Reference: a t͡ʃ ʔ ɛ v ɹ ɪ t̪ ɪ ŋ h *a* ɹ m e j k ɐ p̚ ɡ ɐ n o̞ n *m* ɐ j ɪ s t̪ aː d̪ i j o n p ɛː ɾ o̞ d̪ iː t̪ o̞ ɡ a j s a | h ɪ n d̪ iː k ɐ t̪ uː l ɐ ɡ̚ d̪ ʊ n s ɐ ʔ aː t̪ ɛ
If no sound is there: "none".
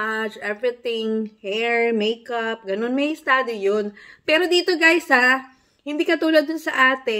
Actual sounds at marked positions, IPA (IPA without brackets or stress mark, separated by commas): ɛ, m